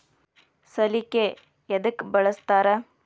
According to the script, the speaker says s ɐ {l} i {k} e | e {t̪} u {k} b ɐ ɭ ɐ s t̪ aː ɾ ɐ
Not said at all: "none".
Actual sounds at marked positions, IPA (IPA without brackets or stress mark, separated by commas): l, k, d̪, k